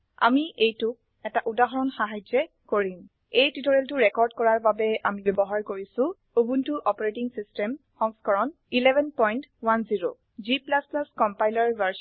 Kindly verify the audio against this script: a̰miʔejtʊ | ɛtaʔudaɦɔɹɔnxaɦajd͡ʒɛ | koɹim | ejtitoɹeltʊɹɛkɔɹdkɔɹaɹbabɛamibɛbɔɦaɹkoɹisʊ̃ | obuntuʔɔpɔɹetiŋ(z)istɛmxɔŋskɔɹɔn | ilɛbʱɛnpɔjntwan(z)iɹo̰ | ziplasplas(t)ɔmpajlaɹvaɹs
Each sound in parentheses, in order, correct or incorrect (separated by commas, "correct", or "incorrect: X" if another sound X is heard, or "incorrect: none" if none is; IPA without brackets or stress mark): incorrect: s, correct, incorrect: k